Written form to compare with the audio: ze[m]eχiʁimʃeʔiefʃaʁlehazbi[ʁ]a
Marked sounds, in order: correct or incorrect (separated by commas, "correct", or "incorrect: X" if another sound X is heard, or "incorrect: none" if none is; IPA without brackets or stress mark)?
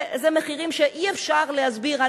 correct, correct